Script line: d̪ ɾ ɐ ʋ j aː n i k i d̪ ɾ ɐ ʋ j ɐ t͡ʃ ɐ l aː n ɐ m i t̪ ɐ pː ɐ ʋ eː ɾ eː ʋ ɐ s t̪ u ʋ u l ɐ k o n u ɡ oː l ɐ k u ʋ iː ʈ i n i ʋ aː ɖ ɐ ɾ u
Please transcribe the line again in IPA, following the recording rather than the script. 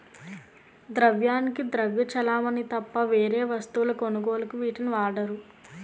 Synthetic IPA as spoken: d̪ ɾ ɐ ʋ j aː n i k i d̪ ɾ ɐ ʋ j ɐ t͡ʃ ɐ l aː m ɐ n i t̪ ɐ pː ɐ ʋ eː ɾ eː ʋ ɐ s t̪ u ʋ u l ɐ k o n u ɡ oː l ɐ k u ʋ iː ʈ i n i ʋ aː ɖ ɐ ɾ u